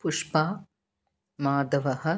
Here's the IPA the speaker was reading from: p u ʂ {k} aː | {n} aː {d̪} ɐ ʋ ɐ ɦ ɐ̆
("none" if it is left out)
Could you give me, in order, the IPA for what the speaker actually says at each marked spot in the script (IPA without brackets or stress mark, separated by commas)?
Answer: p, m, d̪